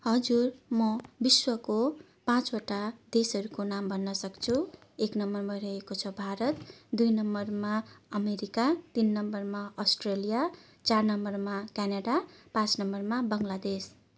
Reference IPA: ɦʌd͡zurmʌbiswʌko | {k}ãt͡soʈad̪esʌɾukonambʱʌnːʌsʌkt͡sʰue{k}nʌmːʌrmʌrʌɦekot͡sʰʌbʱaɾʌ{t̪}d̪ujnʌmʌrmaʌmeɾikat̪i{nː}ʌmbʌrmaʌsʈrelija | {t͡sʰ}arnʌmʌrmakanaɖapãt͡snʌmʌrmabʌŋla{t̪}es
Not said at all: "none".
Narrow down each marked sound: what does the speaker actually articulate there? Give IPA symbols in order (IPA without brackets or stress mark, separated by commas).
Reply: p, k, t̪, nː, t͡s, d̪